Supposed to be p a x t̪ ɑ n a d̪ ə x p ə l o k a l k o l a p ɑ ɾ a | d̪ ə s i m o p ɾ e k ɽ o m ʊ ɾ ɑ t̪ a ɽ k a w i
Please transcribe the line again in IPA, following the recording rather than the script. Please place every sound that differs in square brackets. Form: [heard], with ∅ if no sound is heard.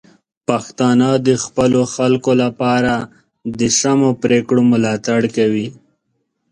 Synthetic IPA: p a x t̪ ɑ n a d̪ ə x p ə l o [x] a l k o l a p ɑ ɾ a | d̪ ə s [a] m o p ɾ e k ɽ o m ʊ [l] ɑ t̪ a ɽ k a w i